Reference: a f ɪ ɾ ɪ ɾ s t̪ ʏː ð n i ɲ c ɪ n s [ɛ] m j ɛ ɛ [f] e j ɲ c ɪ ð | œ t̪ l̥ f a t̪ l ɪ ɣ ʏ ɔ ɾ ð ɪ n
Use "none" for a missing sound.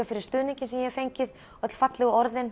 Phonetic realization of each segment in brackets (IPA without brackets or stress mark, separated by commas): ɛ, f